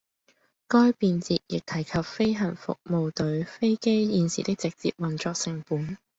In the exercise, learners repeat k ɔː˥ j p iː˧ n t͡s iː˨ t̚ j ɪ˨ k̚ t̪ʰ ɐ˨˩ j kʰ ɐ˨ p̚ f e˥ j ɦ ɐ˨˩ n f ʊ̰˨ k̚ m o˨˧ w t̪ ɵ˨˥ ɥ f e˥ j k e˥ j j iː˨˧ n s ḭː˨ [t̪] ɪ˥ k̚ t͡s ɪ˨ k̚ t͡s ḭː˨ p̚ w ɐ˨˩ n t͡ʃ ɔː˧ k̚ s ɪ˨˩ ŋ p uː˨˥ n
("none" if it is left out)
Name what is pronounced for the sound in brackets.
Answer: t̪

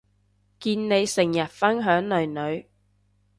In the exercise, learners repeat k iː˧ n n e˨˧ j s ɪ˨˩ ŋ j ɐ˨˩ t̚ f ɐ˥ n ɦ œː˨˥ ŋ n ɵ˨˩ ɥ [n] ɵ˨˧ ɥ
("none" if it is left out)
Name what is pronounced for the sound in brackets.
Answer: n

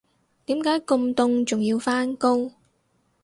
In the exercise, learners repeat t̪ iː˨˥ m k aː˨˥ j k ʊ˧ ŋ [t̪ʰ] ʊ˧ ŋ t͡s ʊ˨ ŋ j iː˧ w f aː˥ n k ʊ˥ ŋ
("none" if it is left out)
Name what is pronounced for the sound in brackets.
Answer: t̪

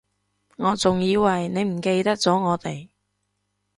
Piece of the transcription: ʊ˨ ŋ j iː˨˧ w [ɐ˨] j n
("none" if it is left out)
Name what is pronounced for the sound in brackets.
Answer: ɐ˨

